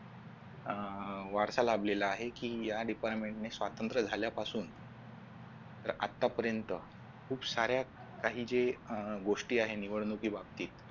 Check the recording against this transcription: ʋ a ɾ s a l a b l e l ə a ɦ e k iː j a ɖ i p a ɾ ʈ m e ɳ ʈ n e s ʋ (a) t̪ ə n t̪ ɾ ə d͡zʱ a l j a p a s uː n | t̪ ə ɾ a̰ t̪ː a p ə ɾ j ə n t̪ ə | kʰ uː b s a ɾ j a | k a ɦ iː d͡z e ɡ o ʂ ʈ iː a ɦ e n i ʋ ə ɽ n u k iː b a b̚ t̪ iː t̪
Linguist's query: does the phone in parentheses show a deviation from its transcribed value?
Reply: no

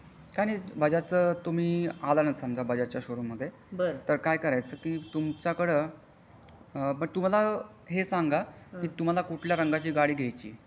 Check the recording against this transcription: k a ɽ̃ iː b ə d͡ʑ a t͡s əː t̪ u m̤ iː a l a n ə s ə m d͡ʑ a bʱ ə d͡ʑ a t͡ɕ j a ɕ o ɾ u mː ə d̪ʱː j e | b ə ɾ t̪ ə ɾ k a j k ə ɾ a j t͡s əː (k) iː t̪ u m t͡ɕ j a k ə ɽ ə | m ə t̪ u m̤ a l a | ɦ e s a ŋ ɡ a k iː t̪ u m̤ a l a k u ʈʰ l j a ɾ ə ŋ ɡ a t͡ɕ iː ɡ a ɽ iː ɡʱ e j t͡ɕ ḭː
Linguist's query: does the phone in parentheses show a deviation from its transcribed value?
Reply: no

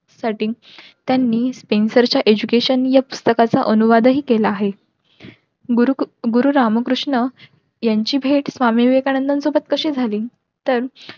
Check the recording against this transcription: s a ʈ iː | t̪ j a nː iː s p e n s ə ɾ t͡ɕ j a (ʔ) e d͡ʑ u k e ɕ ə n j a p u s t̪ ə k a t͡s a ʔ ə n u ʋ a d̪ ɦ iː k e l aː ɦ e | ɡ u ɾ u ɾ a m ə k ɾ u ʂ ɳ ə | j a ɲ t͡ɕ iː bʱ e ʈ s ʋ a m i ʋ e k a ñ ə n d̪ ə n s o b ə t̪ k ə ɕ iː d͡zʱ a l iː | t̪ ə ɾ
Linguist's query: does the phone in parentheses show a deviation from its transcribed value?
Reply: no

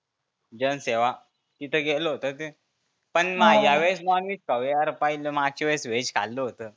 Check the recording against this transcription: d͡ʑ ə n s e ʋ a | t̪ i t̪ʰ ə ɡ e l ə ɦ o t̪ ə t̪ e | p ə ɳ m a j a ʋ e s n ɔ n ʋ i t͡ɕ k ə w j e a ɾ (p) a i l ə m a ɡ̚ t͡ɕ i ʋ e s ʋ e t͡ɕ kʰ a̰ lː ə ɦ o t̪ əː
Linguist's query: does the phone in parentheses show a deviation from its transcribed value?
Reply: no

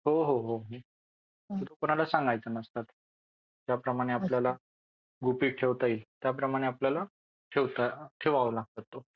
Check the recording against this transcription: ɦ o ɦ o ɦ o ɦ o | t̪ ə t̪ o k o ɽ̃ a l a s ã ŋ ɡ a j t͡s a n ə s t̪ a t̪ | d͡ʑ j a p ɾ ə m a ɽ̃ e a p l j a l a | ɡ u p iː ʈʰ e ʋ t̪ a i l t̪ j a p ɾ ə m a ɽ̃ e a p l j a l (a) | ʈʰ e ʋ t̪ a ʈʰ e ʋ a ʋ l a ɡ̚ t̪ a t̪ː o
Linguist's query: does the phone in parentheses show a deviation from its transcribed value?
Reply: no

